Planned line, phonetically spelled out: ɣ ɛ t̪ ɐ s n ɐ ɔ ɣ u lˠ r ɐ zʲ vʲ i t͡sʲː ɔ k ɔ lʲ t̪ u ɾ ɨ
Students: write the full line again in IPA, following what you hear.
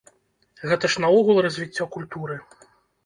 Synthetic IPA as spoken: ɣ ɛ t̪ ɐ ʂ n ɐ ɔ ɣ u lˠ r ɐ zʲ vʲ i t͡sʲː ɔ k u lʲ t̪ u ɾ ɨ